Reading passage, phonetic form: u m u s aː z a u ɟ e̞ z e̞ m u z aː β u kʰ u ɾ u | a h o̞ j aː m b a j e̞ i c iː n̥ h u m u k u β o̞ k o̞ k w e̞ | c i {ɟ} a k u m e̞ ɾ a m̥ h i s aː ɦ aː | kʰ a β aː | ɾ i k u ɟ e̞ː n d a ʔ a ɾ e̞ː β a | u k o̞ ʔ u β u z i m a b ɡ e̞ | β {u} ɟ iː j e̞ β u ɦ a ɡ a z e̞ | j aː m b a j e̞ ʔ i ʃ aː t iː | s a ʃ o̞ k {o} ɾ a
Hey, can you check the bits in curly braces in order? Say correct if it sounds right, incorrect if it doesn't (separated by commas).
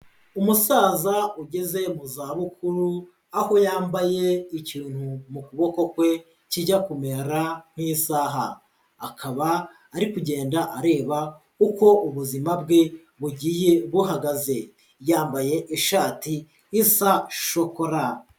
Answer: correct, correct, correct